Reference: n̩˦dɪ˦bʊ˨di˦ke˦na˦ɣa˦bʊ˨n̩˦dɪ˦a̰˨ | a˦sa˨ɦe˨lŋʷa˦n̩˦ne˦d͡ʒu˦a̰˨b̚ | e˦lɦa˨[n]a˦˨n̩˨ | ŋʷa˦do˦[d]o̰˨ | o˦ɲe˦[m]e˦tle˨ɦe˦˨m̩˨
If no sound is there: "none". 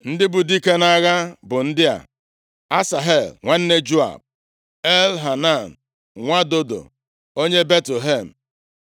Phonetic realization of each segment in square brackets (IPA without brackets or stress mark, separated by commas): n, d, b